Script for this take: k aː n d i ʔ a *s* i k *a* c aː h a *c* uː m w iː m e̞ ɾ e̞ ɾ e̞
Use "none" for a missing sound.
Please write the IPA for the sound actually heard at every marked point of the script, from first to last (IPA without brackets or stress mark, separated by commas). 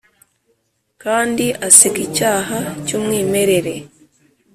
s, i, c